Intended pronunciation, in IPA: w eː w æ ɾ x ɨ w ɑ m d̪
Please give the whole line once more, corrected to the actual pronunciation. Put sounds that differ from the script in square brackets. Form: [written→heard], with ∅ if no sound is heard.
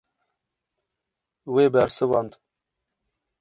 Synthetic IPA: w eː [w→b] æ ɾ [x→s] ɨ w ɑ [m→n] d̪